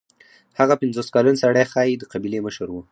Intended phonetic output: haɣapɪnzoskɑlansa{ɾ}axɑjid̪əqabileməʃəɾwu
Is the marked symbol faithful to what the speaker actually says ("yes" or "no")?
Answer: no